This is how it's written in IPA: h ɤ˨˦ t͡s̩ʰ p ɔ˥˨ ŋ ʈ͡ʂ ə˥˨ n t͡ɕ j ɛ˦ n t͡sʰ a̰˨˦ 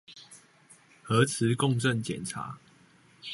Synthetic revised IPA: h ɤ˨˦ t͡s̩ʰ k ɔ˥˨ ŋ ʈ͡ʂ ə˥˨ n t͡ɕ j ɛ˨˩ n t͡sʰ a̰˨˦